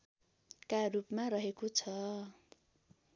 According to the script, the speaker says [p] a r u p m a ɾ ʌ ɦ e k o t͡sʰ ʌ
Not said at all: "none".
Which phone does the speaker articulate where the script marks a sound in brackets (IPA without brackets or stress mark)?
k